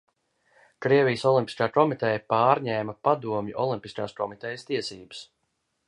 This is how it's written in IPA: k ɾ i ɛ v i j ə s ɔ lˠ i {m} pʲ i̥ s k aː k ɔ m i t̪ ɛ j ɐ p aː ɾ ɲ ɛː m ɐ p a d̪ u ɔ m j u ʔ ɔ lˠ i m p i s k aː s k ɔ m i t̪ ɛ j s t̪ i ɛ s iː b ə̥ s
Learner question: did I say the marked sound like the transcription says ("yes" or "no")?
yes